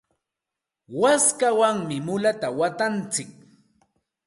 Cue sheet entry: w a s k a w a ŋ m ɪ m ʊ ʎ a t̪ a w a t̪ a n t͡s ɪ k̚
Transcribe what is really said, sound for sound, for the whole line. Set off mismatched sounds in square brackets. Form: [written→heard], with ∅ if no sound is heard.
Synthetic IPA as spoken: w a s k a w a ŋ m ɪ m ʊ [ʎ→l] a t̪ a w a t̪ a n t͡s ɪ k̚